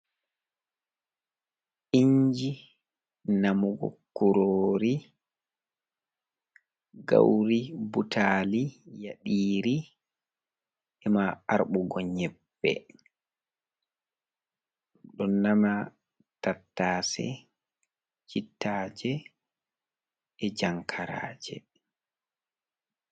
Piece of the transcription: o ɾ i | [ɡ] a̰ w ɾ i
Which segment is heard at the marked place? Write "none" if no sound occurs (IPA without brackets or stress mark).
ɡ